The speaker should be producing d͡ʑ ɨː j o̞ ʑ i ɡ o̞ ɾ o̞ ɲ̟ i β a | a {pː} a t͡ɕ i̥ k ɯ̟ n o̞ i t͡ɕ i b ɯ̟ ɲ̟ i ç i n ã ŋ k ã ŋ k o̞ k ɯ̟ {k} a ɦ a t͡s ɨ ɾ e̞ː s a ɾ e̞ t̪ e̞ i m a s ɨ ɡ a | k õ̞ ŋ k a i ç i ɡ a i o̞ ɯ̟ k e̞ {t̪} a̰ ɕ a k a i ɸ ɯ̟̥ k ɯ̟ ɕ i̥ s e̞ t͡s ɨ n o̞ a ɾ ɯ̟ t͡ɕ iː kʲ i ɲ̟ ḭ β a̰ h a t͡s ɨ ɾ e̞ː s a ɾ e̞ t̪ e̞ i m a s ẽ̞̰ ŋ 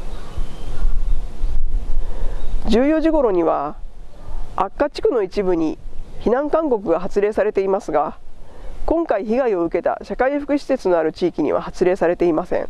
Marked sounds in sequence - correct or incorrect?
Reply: incorrect, incorrect, correct

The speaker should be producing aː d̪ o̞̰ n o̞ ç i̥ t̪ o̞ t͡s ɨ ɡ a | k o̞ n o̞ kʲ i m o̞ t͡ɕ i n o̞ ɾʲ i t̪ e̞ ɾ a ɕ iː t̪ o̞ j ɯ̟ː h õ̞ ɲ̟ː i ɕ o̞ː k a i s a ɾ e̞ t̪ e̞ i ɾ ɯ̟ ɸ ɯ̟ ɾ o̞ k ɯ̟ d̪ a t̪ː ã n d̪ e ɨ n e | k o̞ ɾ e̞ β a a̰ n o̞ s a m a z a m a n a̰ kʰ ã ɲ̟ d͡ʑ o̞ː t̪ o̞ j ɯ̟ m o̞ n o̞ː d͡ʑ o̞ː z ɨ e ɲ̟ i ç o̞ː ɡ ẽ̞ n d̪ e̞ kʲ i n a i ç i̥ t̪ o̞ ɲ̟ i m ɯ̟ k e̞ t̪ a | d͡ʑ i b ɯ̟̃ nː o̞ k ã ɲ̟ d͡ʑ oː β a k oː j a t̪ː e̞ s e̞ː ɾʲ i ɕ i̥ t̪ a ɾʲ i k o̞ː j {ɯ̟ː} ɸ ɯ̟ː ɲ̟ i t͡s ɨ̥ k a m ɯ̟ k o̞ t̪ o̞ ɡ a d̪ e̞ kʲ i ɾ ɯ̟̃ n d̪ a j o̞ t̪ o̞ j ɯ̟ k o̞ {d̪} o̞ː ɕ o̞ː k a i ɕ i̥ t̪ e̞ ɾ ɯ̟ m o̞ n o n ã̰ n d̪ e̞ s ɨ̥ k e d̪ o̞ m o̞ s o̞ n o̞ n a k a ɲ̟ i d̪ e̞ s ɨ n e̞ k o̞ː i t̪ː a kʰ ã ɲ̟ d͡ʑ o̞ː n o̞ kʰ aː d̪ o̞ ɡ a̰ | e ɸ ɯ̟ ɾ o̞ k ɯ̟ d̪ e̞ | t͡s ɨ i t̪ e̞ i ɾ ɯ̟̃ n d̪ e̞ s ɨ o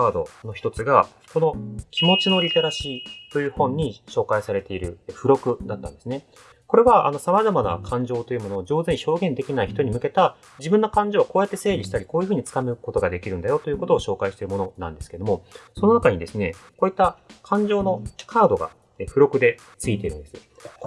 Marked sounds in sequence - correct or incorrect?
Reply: incorrect, incorrect

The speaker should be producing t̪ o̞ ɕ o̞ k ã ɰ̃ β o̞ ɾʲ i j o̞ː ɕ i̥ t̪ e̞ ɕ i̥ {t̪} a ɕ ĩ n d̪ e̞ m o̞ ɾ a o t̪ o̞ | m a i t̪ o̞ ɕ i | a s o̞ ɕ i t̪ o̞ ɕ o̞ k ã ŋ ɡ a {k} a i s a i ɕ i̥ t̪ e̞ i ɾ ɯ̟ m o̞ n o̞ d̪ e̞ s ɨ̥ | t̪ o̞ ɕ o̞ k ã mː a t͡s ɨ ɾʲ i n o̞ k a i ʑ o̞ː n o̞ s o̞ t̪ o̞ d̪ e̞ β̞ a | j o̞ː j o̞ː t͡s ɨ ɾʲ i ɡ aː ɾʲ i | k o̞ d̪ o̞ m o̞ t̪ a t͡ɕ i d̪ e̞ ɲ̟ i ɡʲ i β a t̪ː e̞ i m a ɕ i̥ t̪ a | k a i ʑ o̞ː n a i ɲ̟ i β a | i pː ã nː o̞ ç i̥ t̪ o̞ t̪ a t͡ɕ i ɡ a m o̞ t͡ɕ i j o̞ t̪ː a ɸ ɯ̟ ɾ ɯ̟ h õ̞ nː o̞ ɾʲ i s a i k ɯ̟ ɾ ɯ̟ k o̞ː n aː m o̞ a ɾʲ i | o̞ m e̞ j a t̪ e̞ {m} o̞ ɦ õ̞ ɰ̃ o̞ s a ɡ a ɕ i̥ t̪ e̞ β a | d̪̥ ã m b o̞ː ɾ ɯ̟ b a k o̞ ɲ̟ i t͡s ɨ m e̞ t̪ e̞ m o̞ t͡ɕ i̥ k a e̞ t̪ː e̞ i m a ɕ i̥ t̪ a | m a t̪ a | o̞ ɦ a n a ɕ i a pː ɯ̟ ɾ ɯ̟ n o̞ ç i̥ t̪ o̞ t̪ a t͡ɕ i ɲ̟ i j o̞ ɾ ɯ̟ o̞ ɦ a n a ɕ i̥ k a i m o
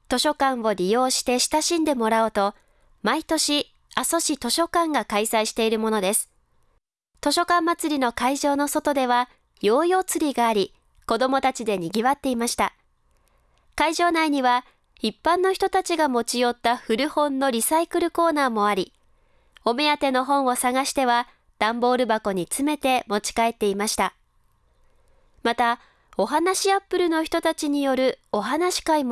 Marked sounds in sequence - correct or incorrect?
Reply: correct, correct, incorrect

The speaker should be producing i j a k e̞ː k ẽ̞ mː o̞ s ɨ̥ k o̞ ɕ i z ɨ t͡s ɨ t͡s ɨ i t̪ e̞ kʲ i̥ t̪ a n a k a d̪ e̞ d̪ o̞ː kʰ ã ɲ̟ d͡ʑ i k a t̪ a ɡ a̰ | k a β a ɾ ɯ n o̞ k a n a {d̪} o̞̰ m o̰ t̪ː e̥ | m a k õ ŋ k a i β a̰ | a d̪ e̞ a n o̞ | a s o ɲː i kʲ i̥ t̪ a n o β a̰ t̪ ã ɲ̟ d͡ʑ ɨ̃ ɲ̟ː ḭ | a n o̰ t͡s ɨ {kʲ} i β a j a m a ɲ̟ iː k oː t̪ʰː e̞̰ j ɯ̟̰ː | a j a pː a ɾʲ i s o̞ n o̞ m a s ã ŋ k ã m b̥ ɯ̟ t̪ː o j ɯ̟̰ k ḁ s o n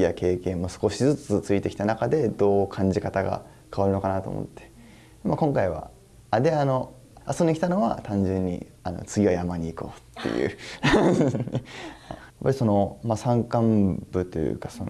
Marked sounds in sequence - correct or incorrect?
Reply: incorrect, incorrect

